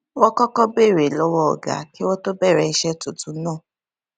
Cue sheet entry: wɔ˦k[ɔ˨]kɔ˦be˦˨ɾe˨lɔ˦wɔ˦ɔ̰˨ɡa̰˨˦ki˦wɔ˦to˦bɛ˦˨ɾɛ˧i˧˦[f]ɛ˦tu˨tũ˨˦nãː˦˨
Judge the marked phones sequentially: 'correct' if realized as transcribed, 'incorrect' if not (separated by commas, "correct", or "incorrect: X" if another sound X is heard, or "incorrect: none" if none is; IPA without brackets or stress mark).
incorrect: ɔ˦, incorrect: ʃ